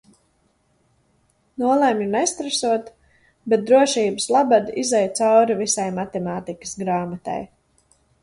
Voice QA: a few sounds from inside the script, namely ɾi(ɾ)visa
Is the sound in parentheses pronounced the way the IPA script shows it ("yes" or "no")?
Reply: no